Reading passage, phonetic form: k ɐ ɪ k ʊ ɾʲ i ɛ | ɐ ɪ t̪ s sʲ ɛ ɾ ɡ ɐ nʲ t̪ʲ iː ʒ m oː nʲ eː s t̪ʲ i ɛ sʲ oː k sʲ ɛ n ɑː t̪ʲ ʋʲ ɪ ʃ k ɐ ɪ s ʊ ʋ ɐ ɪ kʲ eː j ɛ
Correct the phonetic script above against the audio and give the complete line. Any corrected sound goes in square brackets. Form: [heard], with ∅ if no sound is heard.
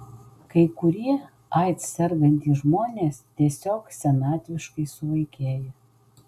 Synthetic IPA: k ɐ ɪ k ʊ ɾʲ i ɛ | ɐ ɪ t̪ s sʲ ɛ ɾ ɡ ɐ nʲ t̪ʲ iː ʒ m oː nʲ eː s t̪ʲ i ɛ sʲ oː k sʲ ɛ n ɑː t̪ʲ ʋʲ ɪ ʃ k ɐ ɪ s ʊ ʋ ɐ ɪ kʲ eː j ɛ